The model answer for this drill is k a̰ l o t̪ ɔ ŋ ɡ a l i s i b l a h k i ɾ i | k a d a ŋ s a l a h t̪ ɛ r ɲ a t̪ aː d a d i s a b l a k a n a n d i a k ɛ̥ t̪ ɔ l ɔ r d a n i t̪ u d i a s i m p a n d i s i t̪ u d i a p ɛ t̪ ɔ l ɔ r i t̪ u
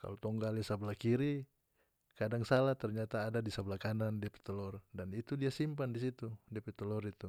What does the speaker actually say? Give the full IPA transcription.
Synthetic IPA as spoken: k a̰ l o t̪ ɔ ŋ ɡ a l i s a b l a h k i ɾ i | k a d a ŋ s a l a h t̪ ɛ r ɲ a t̪ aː d a d i s a b l a k a n a n d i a p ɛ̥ t̪ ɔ l ɔ r d a n i t̪ u d i a s i m p a n d i s i t̪ u d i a p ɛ t̪ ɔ l ɔ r i t̪ u